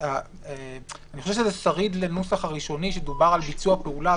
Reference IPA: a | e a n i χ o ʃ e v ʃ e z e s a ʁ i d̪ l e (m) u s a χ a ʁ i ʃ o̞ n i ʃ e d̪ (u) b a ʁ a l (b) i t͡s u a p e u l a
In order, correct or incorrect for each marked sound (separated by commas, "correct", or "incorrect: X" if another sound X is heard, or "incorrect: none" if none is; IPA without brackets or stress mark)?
incorrect: n, correct, correct